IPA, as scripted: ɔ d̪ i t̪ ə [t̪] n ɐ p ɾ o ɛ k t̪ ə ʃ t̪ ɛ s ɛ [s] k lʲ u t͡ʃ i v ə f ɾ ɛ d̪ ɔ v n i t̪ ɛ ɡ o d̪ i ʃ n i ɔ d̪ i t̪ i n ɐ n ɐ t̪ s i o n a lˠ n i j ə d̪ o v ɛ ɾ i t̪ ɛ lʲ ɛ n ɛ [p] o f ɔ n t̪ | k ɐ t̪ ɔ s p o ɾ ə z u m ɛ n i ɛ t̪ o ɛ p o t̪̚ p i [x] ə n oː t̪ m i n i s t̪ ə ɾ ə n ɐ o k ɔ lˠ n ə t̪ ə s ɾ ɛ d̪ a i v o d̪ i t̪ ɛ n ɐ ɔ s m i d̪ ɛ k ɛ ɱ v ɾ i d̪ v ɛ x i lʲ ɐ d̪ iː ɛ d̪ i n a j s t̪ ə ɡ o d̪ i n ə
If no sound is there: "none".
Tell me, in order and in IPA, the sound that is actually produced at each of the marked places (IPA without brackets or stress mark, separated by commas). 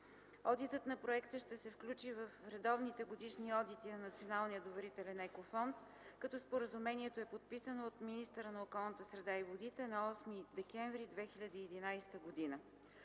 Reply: t̪, f, k, s